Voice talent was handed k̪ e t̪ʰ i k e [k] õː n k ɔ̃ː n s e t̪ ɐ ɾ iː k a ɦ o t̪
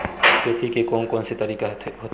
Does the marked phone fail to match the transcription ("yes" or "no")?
no